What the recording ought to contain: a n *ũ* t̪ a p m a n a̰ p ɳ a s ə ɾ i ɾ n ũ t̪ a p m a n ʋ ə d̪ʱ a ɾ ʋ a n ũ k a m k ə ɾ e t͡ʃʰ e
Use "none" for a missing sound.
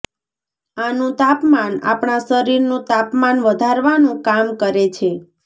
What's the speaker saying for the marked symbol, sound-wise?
ũ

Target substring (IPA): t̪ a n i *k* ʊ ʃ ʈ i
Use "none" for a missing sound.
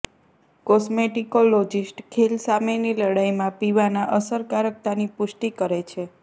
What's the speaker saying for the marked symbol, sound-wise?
p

